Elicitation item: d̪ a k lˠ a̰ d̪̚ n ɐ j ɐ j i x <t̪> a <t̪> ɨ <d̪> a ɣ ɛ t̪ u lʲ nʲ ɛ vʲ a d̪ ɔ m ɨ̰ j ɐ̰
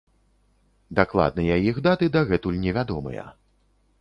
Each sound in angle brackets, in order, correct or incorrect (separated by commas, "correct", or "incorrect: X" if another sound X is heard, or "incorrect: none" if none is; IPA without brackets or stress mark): incorrect: d̪, correct, correct